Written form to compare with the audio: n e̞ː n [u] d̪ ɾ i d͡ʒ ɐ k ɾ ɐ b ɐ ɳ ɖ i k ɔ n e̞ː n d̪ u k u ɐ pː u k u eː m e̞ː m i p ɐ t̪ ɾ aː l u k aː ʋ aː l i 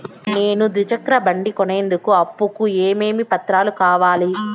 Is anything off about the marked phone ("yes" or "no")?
no